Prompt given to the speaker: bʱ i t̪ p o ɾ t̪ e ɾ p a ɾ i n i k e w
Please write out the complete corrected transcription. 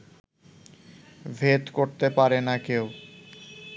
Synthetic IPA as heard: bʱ e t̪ k o ɾ t̪ e p a ɾ e n a k e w